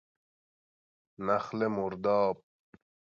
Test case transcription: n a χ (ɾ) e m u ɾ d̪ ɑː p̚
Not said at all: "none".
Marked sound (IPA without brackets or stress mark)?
l